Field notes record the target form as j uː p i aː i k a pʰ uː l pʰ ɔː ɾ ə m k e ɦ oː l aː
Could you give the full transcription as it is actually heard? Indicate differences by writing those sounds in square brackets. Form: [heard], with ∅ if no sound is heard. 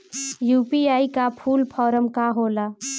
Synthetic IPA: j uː p i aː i k a pʰ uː l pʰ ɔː ɾ ə m k [a] ɦ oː l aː